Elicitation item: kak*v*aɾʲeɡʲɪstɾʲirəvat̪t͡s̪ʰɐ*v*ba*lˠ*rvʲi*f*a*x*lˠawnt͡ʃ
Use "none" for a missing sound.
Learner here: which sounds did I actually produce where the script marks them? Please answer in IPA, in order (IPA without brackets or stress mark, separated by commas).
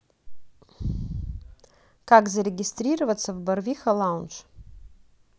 z, v, none, x, none